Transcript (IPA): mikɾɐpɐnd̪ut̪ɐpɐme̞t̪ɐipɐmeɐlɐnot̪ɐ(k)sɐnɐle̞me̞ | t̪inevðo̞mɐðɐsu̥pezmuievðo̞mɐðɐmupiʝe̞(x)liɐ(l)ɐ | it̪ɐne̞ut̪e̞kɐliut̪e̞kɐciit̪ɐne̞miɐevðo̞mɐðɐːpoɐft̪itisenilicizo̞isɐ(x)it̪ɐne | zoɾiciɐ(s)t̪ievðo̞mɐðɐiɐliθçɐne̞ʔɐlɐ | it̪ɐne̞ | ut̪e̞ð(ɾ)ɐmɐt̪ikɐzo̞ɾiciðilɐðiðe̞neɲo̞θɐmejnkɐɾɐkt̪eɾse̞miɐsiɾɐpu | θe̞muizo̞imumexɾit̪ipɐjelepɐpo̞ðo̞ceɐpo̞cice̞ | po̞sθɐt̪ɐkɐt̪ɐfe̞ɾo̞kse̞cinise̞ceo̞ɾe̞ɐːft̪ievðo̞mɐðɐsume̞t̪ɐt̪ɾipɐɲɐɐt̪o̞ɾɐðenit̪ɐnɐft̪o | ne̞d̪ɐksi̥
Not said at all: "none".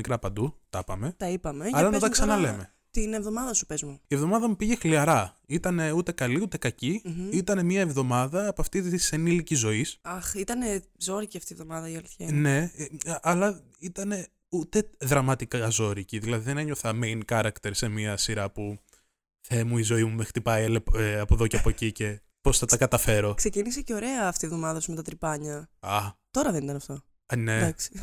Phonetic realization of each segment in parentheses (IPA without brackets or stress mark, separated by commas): k, x, ɾ, x, f, ɾ